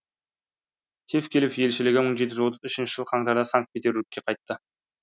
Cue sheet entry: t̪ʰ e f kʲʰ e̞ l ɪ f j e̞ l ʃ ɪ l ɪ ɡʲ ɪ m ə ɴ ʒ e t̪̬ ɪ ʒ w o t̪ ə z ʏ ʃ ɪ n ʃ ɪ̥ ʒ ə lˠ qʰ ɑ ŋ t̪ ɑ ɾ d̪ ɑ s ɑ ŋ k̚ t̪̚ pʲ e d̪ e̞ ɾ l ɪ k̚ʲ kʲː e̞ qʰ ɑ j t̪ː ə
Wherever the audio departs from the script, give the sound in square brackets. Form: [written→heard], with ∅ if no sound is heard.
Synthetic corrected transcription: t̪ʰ e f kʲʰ e̞ l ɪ f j e̞ l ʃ ɪ l ɪ ɡʲ ɪ m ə ɴ ʒ e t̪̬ ɪ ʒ w o t̪ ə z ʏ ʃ ɪ n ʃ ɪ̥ ʒ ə lˠ qʰ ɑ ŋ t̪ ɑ ɾ d̪ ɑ s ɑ ŋ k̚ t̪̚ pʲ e [d̪→t̪] e̞ ɾ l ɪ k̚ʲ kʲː e̞ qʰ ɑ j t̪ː ə